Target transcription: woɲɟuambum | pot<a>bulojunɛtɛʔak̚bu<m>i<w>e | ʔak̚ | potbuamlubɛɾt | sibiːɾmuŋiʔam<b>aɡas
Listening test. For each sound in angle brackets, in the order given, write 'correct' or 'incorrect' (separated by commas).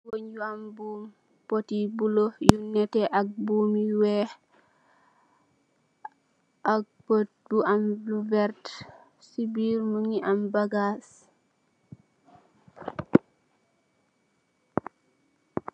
incorrect, correct, correct, correct